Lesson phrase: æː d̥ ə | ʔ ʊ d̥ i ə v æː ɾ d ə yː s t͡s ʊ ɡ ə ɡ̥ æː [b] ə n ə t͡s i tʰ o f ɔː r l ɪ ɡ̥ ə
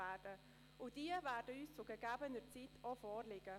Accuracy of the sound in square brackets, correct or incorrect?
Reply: correct